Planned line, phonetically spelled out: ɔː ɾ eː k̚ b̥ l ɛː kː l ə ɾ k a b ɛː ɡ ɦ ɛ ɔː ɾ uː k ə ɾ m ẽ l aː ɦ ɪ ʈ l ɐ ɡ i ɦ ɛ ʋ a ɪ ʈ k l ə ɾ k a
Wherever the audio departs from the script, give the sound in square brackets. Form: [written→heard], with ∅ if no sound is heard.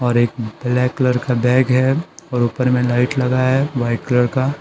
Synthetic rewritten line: ɔː ɾ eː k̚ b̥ l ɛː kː l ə ɾ k a b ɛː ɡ ɦ ɛ ɔː ɾ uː [k→p] ə ɾ m ẽ l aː [ɦ→∅] ɪ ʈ l ɐ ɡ [i→a] ɦ ɛ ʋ a ɪ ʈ k l ə ɾ k a

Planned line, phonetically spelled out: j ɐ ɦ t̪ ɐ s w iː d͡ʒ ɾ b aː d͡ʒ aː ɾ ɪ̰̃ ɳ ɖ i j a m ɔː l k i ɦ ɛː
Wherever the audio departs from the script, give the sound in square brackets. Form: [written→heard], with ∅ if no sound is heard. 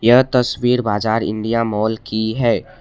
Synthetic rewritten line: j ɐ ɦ t̪ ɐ s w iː [d͡ʒ→∅] ɾ b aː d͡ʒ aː ɾ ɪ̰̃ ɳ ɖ i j a m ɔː l k i ɦ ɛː

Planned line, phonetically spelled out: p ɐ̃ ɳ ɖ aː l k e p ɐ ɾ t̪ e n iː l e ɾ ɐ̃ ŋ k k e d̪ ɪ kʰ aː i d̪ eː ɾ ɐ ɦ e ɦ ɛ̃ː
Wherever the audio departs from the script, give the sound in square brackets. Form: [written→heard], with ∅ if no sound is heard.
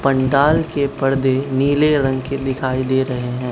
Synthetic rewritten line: p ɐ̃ ɳ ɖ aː l k e p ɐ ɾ [t̪→d̪] e n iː l e ɾ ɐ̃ ŋ [k→ɡ] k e d̪ ɪ kʰ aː i d̪ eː ɾ ɐ ɦ e ɦ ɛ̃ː

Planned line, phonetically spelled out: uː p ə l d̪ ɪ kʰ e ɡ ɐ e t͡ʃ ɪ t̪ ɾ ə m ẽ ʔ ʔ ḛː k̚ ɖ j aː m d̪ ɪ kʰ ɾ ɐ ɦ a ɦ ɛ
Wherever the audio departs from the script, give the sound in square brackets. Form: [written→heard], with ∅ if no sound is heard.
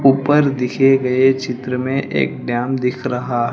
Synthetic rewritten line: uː p ə [l→ɾ] d̪ ɪ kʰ e ɡ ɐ e t͡ʃ ɪ t̪ ɾ ə m ẽ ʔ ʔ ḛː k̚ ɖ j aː m d̪ ɪ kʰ ɾ ɐ ɦ a ɦ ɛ

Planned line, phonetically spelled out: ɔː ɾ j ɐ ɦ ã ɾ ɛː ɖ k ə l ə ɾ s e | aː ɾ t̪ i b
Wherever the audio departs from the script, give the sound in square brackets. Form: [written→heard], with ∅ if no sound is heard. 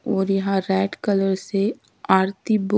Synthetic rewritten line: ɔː ɾ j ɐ ɦ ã ɾ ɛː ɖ k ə l ə ɾ s e | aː ɾ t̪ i b

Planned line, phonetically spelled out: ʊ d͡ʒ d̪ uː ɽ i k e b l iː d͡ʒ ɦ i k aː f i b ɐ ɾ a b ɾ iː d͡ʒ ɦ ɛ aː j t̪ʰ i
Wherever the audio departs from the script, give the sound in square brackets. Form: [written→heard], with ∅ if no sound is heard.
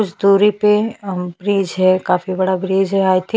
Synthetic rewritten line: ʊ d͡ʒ d̪ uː [ɽ→ɾ] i [k→p] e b [l→ɾ] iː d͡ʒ ɦ [i→ɛ] k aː f i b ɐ [ɾ→ɽ] a b ɾ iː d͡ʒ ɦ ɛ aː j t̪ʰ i

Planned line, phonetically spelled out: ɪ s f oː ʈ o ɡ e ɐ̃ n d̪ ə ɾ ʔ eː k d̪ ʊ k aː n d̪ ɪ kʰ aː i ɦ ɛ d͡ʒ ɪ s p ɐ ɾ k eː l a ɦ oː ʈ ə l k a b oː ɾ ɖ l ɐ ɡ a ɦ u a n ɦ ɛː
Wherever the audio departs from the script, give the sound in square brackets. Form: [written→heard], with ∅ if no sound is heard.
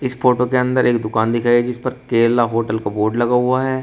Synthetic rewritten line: ɪ s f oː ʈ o [ɡ→k] e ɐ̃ n d̪ ə ɾ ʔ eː k d̪ ʊ k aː n d̪ ɪ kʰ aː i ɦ ɛ d͡ʒ ɪ s p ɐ ɾ k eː l a ɦ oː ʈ ə l k a b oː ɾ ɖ l ɐ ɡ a ɦ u a [n→∅] ɦ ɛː

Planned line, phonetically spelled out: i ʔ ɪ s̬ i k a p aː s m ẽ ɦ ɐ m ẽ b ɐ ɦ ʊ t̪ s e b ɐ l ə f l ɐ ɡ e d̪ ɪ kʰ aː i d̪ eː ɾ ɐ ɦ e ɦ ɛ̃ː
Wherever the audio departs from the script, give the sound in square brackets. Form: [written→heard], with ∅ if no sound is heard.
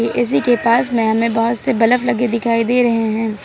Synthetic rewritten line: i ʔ ɪ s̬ i k [a→e] p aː s m ẽ ɦ ɐ m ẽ b ɐ ɦ ʊ t̪ s e b ɐ l ə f l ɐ ɡ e d̪ ɪ kʰ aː i d̪ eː ɾ ɐ ɦ e ɦ ɛ̃ː

